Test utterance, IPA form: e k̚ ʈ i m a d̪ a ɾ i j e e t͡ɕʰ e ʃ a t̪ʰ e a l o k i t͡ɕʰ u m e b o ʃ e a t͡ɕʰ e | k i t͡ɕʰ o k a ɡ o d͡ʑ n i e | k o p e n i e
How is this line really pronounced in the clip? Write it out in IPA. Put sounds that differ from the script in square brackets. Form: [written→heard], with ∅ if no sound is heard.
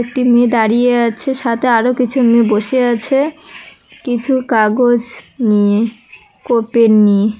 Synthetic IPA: e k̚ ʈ i m [a→e] d̪ a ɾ i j e [e→a] t͡ɕʰ e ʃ a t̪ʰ e a [l→ɾ] o k i t͡ɕʰ u m e b o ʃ e a t͡ɕʰ e | k i t͡ɕʰ [o→u] k a ɡ o d͡ʑ n i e | k o p e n i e